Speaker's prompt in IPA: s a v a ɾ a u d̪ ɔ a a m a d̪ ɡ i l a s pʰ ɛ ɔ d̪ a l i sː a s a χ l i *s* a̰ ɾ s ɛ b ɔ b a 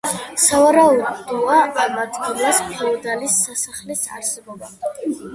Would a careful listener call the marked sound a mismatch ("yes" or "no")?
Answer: no